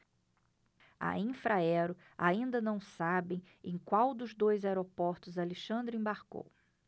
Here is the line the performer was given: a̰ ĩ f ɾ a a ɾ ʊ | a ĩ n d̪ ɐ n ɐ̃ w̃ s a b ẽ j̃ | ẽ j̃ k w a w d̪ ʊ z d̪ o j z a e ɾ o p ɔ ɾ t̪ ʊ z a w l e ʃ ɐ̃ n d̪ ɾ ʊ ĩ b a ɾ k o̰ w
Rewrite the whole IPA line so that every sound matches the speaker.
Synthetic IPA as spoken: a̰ ĩ f ɾ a ɛ ɾ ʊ | a ĩ n d̪ ɐ n ɐ̃ w̃ s a b ẽ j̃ | ẽ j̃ k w a w d̪ ʊ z d̪ o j z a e ɾ o p ɔ ɾ t̪ ʊ z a l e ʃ ɐ̃ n d̪ ɾ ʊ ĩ b a ɾ k o̰ w